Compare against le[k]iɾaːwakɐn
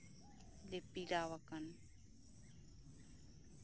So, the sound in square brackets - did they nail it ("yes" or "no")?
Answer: no